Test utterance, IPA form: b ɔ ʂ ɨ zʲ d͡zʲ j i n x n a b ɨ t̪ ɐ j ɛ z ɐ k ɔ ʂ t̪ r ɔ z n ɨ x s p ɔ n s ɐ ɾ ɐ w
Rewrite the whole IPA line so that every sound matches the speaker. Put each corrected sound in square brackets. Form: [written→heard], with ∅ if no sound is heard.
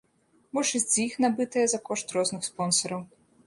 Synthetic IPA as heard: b ɔ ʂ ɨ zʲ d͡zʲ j i [n→∅] x n a b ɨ t̪ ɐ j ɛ z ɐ k ɔ ʂ t̪ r ɔ z n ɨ x s p ɔ n s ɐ ɾ ɐ w